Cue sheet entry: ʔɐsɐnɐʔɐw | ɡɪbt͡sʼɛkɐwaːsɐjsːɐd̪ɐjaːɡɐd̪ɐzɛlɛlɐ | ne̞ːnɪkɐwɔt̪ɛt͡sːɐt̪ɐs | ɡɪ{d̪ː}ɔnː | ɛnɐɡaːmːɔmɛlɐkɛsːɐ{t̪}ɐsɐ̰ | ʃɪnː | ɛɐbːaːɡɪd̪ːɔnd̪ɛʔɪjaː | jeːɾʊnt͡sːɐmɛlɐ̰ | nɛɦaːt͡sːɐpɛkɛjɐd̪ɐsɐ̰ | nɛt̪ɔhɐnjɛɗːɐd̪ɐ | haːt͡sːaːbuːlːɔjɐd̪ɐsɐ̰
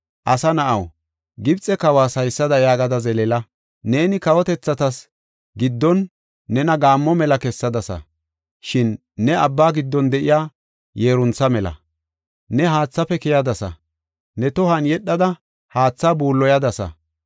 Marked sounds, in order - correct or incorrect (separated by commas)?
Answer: correct, incorrect